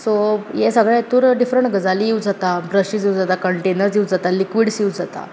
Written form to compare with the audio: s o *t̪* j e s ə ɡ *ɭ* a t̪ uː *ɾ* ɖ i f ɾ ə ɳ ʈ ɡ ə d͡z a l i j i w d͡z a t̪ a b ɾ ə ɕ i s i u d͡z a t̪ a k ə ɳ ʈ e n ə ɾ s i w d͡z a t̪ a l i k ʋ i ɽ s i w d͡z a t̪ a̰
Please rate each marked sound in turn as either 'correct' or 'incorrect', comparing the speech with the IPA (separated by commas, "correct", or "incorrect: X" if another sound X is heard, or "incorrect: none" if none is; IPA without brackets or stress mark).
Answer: incorrect: none, correct, correct